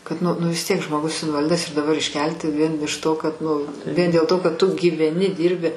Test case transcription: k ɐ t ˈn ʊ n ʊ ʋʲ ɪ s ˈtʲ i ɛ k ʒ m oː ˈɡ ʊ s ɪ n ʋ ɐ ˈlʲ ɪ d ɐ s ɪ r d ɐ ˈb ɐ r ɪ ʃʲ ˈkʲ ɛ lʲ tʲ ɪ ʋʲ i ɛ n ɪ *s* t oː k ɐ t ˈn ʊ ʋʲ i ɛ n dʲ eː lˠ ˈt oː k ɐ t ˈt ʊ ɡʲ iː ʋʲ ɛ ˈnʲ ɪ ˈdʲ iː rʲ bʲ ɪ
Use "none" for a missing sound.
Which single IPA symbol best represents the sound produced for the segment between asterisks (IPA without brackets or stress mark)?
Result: ʃ